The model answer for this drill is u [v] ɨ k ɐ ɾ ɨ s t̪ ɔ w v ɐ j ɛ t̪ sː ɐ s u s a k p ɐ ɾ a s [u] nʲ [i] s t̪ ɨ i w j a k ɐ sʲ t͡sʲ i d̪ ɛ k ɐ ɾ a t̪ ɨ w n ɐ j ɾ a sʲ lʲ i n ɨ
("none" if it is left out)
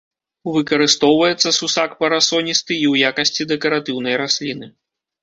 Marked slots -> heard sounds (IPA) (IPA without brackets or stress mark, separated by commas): v, ɔ, i